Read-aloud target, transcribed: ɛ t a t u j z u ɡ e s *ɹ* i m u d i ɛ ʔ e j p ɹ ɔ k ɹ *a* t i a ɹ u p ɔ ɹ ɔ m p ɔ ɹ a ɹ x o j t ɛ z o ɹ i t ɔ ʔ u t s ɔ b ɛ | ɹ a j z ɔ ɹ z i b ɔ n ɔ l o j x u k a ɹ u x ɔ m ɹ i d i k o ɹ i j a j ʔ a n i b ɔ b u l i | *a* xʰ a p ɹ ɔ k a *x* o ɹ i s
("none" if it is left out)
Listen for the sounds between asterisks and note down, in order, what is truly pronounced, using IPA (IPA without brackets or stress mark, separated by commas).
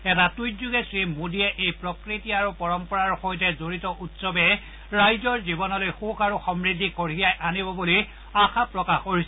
ɹ, i, a, x